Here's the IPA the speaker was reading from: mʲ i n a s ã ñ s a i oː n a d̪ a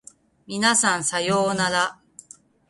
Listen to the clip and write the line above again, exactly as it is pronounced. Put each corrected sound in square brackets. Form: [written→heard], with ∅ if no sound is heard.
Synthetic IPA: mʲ i n a s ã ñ s a [i→j] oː n a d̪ a